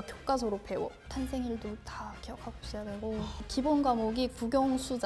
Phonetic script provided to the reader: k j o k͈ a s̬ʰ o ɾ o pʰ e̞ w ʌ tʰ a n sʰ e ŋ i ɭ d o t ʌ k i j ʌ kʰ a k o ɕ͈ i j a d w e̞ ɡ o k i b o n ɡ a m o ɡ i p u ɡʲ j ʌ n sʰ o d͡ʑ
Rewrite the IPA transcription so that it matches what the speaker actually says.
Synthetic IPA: k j o k͈ a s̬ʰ o ɾ o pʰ e̞ w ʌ tʰ a n sʰ e ŋ i ɭ d o t a k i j ʌ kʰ a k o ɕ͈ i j a d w e̞ ɡ o k i b o n ɡ a m o ɡ i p u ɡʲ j ʌ ŋ sʰ u d͡ʑ